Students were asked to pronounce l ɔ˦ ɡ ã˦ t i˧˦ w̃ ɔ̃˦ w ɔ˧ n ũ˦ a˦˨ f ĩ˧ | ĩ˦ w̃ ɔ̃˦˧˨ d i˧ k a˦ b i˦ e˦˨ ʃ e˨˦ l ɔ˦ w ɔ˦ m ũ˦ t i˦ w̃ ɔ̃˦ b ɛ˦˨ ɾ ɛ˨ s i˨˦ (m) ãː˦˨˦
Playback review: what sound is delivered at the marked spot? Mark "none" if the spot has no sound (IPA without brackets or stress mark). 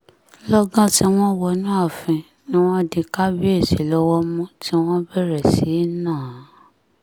n